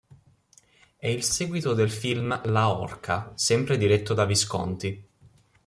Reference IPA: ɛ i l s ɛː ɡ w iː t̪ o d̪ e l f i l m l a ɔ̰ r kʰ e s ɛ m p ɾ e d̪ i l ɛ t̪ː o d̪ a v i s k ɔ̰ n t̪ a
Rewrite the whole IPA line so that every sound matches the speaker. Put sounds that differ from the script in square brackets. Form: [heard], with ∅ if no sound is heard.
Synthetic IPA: ɛ i l s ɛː ɡ w [i] t̪ o d̪ e l f i l m l a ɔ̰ r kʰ [a] s ɛ m p ɾ e d̪ i [ɾ] ɛ t̪ː o d̪ a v i s k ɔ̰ n t̪ [i]